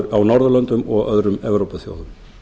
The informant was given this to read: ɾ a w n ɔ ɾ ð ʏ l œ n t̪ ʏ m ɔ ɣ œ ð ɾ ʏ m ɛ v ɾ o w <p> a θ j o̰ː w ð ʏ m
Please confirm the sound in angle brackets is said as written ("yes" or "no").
yes